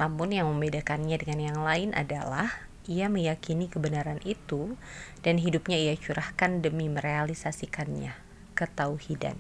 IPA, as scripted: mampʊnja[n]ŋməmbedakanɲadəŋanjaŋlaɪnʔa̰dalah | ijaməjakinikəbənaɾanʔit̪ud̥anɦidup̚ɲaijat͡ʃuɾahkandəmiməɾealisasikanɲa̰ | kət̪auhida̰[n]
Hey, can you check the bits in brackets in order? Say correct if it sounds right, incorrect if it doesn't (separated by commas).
incorrect, correct